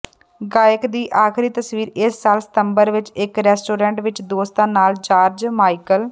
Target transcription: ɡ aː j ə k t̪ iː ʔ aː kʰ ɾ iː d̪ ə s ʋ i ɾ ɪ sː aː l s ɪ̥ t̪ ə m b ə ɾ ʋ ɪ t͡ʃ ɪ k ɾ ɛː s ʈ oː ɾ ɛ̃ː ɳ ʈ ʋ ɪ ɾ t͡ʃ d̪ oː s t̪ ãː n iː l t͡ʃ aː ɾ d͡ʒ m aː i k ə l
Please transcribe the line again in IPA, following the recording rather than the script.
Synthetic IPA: ɡ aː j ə k d̪ iː ʔ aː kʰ ɾ iː t̪ ə s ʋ iː ɾ ɪ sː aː l s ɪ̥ t̪ ə m b ə ɾ ʋ ɪ t͡ʃ ɪ k ɾ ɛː s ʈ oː ɾ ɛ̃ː ɳ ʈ ʋ ɪ t͡ʃ d̪ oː s t̪ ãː n aː l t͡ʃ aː ɾ d͡ʒ m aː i k ə l

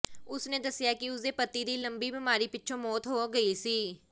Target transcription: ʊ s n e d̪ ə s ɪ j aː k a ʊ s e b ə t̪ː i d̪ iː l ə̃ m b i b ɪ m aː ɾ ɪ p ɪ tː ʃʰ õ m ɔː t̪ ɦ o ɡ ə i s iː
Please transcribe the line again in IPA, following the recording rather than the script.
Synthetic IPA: ʊ s n e d̪ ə s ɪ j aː k i ʊ s e p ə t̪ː i d̪ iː l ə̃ m b i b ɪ m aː ɾ i p ɪ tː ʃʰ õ m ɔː t̪ ɦ o ɡ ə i s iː

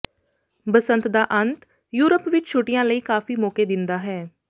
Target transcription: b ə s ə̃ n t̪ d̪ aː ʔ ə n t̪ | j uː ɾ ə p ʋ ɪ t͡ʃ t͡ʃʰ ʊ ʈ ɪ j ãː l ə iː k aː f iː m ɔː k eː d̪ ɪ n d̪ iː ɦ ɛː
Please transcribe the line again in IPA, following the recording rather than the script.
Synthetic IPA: b ə s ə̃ n t̪ d̪ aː ʔ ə n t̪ | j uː ɾ ə p ʋ ɪ t͡ʃ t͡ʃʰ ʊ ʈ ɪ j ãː l ə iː k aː f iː m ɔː k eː d̪ ɪ n d̪ aː ɦ ɛː

